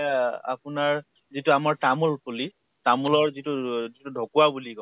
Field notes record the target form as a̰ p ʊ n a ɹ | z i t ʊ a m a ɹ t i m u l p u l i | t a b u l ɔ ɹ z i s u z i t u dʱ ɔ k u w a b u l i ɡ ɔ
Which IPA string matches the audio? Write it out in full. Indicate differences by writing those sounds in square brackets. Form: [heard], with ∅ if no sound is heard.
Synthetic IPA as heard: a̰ p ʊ n a ɹ | z i t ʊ a m a ɹ t [a] m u l p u l i | t a [m] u l ɔ ɹ z i [t] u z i t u dʱ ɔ k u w a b u l i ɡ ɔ